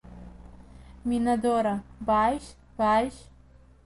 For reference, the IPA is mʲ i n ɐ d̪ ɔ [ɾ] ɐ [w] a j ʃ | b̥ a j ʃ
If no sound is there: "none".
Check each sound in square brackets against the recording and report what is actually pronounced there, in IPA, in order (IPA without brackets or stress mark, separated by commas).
ɾ, b